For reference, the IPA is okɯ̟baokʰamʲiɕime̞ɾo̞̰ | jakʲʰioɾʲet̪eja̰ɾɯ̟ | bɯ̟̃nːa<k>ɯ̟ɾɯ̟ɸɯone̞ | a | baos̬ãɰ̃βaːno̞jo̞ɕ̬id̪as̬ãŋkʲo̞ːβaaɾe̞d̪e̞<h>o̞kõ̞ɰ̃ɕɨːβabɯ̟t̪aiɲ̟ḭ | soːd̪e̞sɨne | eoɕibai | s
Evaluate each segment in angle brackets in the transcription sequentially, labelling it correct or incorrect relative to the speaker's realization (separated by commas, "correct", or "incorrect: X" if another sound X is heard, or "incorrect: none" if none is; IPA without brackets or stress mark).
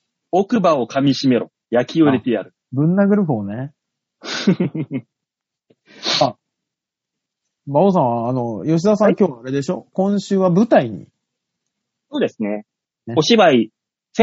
incorrect: ɡ, incorrect: ɕ